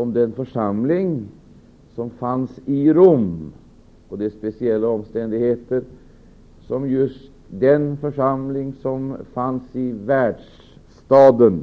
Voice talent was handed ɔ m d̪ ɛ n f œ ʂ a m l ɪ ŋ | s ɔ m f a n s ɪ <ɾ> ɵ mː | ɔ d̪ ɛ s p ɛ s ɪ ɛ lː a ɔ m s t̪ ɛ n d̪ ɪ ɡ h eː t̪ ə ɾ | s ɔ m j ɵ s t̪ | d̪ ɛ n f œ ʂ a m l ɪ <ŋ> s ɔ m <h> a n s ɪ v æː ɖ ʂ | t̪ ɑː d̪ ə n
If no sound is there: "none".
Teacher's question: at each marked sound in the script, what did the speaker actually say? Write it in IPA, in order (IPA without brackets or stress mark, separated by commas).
ɾ, ŋ, f